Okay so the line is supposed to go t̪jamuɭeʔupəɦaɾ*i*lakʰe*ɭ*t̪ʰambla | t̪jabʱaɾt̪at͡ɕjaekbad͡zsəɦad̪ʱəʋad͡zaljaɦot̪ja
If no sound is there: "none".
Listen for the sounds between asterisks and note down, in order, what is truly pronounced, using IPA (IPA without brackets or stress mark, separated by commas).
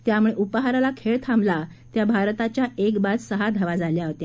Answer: a, ɭ